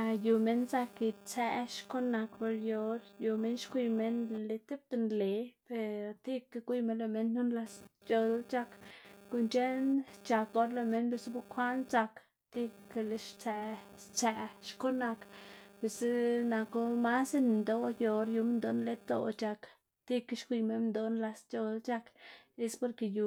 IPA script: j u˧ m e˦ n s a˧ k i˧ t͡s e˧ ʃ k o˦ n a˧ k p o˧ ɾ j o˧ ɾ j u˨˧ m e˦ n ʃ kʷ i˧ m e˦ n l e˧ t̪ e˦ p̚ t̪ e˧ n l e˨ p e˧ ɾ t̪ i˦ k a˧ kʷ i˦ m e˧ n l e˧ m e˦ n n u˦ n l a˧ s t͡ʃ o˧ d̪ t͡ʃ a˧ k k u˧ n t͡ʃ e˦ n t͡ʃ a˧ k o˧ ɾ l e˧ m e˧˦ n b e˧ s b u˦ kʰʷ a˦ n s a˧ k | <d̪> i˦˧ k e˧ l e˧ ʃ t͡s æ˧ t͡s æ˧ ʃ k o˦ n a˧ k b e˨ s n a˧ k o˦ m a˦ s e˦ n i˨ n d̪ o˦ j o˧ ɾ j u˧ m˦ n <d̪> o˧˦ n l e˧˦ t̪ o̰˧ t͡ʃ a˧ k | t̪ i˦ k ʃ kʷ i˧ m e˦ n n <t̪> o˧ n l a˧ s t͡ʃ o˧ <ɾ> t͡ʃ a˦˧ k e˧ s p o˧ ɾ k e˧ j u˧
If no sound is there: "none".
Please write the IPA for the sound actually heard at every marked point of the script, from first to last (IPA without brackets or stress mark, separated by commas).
t̪, d̪, d̪, l